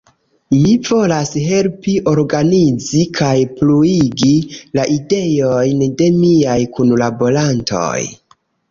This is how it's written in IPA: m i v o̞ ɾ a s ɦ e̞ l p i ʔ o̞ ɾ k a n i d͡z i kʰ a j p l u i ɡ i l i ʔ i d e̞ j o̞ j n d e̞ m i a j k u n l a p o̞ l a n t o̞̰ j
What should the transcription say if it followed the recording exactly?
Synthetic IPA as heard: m i v o̞ l a s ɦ e̞ l p i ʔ o̞ ɾ ɡ a n i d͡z i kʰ a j p l u i ɡ i l a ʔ i d e̞ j o̞ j n d e̞ m i a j k u n l a b o̞ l a n t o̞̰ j